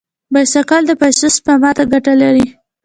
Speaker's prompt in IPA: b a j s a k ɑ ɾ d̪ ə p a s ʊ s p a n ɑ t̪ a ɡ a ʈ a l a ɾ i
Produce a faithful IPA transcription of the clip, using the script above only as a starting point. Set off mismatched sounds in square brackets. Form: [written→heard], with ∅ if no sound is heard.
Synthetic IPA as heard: b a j s a k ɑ [ɾ→l] d̪ ə p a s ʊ s p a [n→m] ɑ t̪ a ɡ a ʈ a l a ɾ i

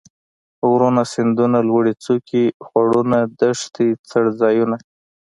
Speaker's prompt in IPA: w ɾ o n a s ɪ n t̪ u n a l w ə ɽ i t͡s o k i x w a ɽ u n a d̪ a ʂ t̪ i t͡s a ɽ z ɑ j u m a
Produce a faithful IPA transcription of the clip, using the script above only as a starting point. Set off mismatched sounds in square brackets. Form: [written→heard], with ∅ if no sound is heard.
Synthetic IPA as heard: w ɾ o n a s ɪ n [t̪→d̪] u n a l w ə ɽ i t͡s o k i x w a ɽ u n a d̪ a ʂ t̪ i t͡s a ɽ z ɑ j u [m→n] a

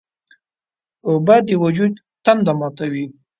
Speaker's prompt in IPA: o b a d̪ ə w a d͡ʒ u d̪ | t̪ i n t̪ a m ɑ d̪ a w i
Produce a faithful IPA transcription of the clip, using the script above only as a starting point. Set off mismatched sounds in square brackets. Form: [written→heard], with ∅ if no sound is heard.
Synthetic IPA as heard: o b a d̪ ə w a d͡ʒ u d̪ | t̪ [i→a] n [t̪→d̪] a m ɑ [d̪→t̪] a w i

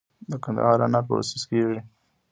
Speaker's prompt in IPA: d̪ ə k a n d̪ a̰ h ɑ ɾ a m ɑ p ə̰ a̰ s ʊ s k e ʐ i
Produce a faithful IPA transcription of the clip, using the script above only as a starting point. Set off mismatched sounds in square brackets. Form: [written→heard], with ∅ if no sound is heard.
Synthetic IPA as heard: d̪ ə k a n d̪ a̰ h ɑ ɾ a [m→n] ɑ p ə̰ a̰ s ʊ s k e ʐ i

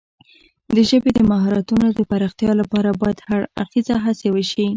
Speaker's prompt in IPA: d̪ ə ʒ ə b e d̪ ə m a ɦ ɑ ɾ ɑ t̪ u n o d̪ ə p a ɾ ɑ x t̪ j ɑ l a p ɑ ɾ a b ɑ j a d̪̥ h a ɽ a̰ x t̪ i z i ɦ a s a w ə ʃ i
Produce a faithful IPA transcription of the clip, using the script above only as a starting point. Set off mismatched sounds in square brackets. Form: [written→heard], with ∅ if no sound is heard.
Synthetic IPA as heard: d̪ ə ʒ ə b e d̪ ə m a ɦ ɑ ɾ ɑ t̪ u n o d̪ ə p a ɾ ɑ x t̪ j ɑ l a p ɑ ɾ a b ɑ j a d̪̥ h a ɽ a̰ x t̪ i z [i→a] ɦ a s [a→e] w ə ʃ i

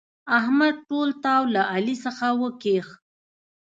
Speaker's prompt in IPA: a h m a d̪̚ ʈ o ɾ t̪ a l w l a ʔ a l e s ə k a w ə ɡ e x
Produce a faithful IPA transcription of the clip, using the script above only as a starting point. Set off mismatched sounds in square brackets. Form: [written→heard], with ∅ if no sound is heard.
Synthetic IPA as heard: a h m a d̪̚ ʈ o [ɾ→l] t̪ a [l→∅] w l a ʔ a l [e→i] s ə [k→x] a w ə [ɡ→k] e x

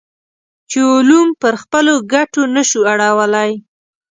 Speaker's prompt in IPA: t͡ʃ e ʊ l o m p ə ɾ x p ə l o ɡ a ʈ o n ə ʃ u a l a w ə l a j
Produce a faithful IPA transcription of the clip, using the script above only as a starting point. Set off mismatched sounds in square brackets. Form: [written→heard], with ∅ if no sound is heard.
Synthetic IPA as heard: t͡ʃ e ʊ l [o→u] m p ə ɾ x p ə l o ɡ a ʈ o n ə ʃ u a [l→ɽ] a w ə l a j

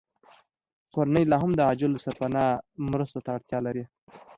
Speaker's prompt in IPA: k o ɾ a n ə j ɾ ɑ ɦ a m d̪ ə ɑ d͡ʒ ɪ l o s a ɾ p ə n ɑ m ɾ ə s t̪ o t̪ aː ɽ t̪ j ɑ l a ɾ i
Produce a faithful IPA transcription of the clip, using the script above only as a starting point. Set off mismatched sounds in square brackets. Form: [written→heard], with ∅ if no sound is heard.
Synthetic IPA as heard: k o ɾ a n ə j [ɾ→l] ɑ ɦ a m d̪ ə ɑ d͡ʒ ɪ l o s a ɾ p [ə→a] n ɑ m ɾ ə s t̪ o t̪ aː ɽ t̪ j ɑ l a ɾ i

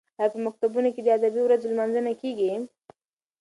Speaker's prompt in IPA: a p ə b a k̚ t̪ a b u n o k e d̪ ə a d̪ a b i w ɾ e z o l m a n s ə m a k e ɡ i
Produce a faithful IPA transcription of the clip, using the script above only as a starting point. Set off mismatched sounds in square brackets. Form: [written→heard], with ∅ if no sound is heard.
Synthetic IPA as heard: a p ə [b→m] a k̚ t̪ a b u n o k e d̪ ə a d̪ a b i w ɾ [e→a] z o l m a n [s→z] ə [m→n] a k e ɡ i

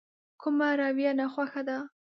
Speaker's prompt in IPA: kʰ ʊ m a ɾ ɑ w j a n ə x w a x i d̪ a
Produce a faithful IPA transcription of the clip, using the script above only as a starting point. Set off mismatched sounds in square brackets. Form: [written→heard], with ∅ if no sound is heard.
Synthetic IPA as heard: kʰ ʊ m a ɾ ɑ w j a n [ə→a] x w a x [i→a] d̪ a

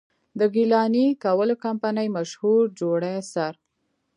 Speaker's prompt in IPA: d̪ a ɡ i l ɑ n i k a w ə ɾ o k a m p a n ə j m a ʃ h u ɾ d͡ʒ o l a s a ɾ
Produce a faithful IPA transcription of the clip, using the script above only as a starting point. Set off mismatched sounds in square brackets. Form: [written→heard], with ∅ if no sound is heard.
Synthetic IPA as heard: d̪ [a→ə] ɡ i l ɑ n i k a w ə [ɾ→l] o k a m p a n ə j m a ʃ h u ɾ d͡ʒ o [l→ɽ] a s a ɾ

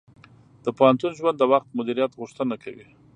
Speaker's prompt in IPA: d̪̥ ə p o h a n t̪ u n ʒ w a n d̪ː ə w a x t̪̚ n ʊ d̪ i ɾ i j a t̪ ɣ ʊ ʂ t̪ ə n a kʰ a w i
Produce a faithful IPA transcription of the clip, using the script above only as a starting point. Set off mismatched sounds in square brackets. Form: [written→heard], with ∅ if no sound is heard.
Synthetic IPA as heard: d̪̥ ə p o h a n t̪ u n ʒ w a n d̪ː ə w a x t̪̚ [n→m] ʊ d̪ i ɾ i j a t̪ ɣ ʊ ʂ t̪ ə n a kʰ a w i

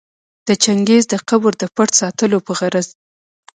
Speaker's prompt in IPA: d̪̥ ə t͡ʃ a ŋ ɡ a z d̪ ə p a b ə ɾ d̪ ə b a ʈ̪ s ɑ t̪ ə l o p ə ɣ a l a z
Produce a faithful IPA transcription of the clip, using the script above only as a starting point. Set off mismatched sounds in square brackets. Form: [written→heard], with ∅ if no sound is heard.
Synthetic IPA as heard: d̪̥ ə t͡ʃ a ŋ ɡ [a→e] z d̪ ə [p→q] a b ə ɾ d̪ ə [b→p] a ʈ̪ s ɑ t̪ ə l o p ə ɣ a [l→ɾ] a z

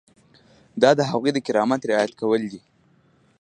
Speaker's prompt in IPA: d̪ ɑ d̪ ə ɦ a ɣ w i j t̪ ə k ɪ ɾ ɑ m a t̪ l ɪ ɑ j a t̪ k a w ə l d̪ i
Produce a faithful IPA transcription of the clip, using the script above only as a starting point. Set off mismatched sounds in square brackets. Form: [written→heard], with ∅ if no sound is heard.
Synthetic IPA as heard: d̪ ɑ d̪ ə ɦ a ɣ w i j [t̪→d̪] ə k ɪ ɾ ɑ m a t̪ [l→ɾ] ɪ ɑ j a t̪ k a w ə l d̪ i

